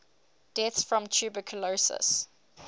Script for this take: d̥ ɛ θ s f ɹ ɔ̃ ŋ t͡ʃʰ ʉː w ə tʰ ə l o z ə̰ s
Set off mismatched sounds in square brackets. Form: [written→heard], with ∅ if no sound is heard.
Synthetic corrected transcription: d̥ ɛ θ s f ɹ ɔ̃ [ŋ→m] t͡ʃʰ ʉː [w→b] ə [tʰ→kʰ] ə l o [z→s] ə̰ s

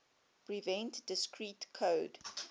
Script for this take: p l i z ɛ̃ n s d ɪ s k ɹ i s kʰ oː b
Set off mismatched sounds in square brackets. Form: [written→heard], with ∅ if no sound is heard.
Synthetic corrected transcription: p [l→ɹ] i [z→v] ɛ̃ n [s→t] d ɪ s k ɹ i [s→t] kʰ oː [b→d]

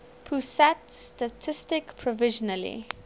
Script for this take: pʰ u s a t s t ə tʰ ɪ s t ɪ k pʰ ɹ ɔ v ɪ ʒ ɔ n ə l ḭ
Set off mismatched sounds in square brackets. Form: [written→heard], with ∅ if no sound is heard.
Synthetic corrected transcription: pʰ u s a t s t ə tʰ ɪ s t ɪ k pʰ ɹ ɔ v ɪ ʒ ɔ n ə l ḭ

